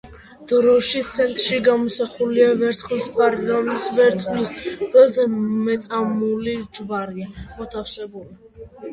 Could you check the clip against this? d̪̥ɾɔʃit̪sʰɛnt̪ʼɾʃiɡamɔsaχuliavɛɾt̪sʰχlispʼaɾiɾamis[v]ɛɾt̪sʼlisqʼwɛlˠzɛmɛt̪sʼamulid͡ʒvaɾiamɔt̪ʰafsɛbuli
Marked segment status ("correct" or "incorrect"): correct